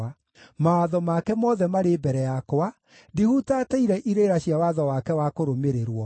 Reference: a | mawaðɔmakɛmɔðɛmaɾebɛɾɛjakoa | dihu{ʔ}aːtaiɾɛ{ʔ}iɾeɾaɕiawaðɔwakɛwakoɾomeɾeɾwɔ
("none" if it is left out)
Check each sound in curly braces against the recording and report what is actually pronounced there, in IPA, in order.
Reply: t, ʔ

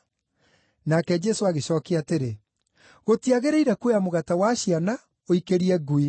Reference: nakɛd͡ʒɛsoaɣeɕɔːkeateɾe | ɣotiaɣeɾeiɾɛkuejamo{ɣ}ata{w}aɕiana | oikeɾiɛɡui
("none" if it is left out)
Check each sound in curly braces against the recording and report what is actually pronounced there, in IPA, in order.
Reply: ɣ, w

